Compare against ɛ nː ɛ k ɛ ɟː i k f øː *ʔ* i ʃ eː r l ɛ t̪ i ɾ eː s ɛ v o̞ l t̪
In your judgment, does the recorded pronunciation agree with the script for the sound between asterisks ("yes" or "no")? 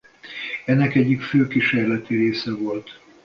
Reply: no